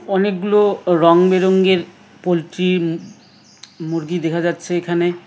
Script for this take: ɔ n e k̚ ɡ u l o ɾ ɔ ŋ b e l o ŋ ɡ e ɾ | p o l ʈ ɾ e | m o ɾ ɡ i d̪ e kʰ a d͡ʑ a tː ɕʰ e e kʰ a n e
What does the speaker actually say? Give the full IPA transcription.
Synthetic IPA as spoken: ɔ n e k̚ ɡ u l o ɾ ɔ ŋ b e ɾ o ŋ ɡ e ɾ | p o l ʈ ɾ i | m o ɾ ɡ i d̪ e kʰ a d͡ʑ a tː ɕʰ e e kʰ a n e